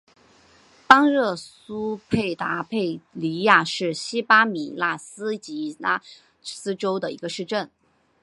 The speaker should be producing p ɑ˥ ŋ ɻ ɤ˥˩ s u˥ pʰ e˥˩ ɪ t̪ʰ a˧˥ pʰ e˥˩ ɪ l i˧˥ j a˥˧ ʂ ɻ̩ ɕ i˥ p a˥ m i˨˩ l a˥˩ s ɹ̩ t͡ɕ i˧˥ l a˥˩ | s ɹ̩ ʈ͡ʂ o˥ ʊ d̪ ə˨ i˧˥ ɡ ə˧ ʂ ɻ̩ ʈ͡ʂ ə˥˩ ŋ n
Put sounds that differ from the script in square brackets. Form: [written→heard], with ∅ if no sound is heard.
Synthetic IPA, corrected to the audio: p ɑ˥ ŋ ɻ ɤ˥˩ s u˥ pʰ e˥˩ ɪ [t̪ʰ→t̪] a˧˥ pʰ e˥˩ ɪ l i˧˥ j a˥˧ ʂ ɻ̩ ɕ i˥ p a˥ m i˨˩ l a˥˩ s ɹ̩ t͡ɕ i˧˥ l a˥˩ | s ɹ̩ ʈ͡ʂ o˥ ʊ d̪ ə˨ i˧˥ ɡ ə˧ ʂ ɻ̩ ʈ͡ʂ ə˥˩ [ŋ→∅] n